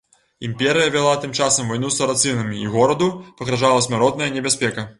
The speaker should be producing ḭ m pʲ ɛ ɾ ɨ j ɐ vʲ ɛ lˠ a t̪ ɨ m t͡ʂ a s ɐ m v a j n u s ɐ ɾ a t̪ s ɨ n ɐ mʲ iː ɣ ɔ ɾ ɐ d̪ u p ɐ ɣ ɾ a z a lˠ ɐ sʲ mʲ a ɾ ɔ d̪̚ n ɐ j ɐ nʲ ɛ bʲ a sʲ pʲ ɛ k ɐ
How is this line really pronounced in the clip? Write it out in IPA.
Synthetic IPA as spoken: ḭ m pʲ ɛ ɾ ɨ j ɐ vʲ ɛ lˠ a t̪ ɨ m t͡ʂ a s ɐ m v a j n u s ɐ ɾ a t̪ s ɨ n ɐ mʲ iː ɣ ɔ ɾ ɐ d̪ u p ɐ ɣ ɾ a ʐ a lˠ ɐ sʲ mʲ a ɾ ɔ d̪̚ n ɐ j ɐ nʲ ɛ bʲ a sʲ pʲ ɛ k ɐ

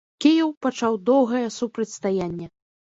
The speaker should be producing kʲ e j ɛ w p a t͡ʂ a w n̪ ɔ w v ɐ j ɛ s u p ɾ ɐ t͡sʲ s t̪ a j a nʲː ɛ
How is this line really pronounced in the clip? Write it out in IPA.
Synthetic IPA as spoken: kʲ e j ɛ w p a t͡ʂ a w d̪ ɔ w ɣ ɐ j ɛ s u p ɾ ɐ t͡sʲ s t̪ a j a nʲː ɛ

